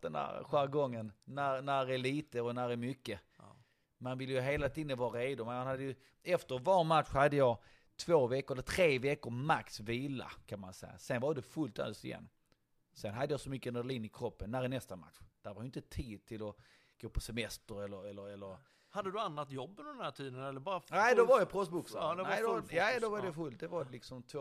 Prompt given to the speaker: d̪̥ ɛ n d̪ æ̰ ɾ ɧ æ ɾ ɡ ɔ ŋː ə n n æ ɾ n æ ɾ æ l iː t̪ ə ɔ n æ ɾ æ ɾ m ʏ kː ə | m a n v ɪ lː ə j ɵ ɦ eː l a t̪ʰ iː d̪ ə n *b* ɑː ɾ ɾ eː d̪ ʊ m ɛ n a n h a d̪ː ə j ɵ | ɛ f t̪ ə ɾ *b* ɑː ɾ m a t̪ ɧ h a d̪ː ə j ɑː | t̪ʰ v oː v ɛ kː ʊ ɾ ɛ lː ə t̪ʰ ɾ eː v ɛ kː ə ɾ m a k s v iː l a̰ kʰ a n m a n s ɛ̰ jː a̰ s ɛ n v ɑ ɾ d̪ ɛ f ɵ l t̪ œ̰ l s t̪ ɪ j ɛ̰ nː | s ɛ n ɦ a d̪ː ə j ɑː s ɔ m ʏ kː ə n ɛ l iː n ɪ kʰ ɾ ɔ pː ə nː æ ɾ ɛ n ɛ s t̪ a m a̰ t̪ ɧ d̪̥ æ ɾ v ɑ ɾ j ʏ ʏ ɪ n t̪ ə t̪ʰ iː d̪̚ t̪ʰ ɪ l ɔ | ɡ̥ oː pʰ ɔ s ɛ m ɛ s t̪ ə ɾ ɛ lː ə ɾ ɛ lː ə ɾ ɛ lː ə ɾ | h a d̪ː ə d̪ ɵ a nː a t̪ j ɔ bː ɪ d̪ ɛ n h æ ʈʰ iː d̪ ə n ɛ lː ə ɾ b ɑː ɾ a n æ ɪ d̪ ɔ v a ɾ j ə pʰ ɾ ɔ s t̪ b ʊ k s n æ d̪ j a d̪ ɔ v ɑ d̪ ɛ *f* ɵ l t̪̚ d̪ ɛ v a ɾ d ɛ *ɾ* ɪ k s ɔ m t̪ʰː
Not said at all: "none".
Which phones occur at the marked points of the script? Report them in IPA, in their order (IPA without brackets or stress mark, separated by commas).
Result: v, v, f, l